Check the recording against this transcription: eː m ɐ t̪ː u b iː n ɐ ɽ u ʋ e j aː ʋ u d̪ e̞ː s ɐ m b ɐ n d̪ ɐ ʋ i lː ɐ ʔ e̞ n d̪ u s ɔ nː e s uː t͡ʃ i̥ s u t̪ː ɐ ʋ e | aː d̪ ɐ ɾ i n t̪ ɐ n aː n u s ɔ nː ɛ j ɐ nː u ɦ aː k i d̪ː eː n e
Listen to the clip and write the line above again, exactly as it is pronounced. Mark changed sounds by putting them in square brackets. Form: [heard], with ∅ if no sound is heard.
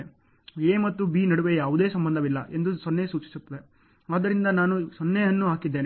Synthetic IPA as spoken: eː m ɐ t̪ː u b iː n ɐ ɽ u ʋ e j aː ʋ u d̪ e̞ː s ɐ m b ɐ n d̪ ɐ ʋ i lː ɐ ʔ e̞ n d̪ u s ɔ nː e s uː t͡ʃ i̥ s u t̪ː ɐ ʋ e | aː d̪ ɐ ɾ i n [d̪] ɐ n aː n u s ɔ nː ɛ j ɐ nː u ɦ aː k i d̪ː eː n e